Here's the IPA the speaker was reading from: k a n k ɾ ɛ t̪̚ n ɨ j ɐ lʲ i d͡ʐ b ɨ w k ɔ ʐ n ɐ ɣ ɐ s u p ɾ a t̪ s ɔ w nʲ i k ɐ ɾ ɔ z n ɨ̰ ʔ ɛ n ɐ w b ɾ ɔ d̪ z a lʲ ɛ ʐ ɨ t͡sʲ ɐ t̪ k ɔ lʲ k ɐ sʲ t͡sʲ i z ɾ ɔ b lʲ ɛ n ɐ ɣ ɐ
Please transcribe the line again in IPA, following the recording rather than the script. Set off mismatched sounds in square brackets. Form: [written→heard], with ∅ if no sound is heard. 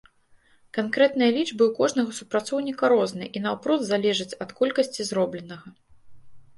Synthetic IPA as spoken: k a n k ɾ ɛ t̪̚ n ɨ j ɐ lʲ i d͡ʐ b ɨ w k ɔ ʐ n ɐ ɣ ɐ s u p ɾ a t̪ s ɔ w nʲ i k ɐ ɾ ɔ z n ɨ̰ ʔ [ɛ→i] n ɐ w [b→p] ɾ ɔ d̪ z a lʲ ɛ ʐ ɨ t͡sʲ ɐ t̪ k ɔ lʲ k ɐ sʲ t͡sʲ i z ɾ ɔ b lʲ ɛ n ɐ ɣ ɐ